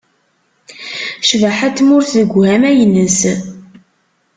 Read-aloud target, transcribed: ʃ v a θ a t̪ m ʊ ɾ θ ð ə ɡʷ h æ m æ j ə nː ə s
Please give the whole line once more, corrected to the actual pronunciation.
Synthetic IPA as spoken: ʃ v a ħ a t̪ m ʊ ɾ θ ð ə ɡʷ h æ m æ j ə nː ə s